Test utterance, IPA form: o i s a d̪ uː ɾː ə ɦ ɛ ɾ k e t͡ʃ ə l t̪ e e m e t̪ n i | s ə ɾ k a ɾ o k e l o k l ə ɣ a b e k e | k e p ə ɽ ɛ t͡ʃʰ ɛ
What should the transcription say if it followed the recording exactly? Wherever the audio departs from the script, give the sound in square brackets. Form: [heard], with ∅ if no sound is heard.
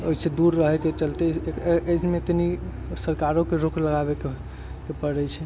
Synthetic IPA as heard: o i s [e] d̪ [u] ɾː ə ɦ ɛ [∅] k e t͡ʃ ə l t̪ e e m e t̪ n i | s ə ɾ k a ɾ o k e [ɾ] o k l ə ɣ a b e k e | k e p ə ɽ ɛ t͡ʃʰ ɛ